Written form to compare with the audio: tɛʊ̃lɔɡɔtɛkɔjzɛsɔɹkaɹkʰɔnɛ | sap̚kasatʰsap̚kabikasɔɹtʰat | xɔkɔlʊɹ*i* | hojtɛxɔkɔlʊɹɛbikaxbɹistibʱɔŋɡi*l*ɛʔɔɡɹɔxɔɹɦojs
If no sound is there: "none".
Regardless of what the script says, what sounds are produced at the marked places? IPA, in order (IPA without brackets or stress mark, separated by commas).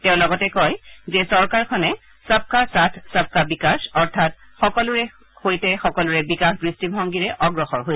ɛ, ɹ